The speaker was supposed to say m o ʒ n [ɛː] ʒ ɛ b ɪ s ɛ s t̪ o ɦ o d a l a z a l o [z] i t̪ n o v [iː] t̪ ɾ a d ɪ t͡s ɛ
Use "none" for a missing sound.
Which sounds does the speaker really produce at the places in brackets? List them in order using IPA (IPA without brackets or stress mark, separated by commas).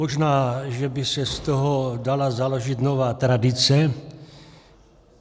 aː, ʒ, aː